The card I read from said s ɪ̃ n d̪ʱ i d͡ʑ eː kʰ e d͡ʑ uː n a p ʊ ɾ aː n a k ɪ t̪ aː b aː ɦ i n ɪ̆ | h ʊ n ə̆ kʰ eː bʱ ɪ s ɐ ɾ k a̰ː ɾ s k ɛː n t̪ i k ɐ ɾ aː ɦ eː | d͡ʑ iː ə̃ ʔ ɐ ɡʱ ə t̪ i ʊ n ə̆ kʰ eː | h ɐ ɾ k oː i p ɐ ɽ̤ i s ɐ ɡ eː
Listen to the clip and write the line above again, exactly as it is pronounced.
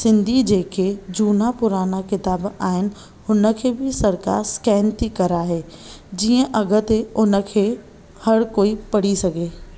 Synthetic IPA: s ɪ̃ n d̪ʱ i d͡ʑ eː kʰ e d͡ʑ uː n a p ʊ ɾ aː n a k ɪ t̪ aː b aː ɦ ɪ n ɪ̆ | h ʊ n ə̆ kʰ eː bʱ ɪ s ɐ ɾ k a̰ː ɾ s k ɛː n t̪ i k ɐ ɾ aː ɦ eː | d͡ʑ iː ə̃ ʔ ɐ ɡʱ ə t̪ e ʊ n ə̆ kʰ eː | h ɐ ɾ k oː i p ɐ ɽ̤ i s ɐ ɡ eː